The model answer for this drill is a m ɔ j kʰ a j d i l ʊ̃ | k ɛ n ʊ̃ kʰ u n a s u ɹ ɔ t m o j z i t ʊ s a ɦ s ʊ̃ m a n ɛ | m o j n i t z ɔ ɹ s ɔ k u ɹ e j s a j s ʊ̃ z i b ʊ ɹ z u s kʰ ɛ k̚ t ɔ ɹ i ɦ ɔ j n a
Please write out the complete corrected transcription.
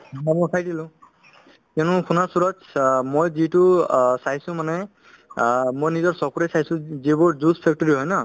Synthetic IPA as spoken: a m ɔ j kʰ a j d i l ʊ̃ | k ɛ n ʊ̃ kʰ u n a s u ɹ ɔ t m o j z i t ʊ s a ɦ s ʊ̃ m a n ɛ | m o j n i z ɔ ɹ s ɔ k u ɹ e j s a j s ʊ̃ z i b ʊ ɹ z u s pʰ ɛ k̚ t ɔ ɹ i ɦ ɔ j n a

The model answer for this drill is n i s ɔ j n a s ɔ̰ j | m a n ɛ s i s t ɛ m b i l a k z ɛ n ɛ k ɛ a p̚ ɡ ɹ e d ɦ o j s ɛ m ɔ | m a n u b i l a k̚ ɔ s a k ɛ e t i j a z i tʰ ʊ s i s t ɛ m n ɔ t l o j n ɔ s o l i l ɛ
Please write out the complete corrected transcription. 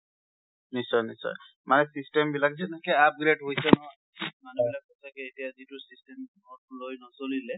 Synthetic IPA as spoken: n i s ɔ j n i s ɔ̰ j | m a n ɛ s i s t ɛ m b i l a k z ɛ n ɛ k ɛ a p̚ ɡ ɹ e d ɦ o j s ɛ n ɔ | m a n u b i l a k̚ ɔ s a k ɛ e t i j a z i t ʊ s i s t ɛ m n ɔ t l o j n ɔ s o l i l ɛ

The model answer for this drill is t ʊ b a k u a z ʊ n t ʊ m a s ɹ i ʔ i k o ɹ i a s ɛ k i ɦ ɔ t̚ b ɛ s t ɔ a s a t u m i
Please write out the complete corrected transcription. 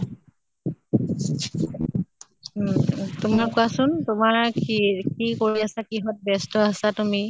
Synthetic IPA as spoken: t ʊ m a k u a s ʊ n t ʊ m a ɹ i k i k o ɹ i a s a k i ɦ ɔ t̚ b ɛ s t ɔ a s a t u m i

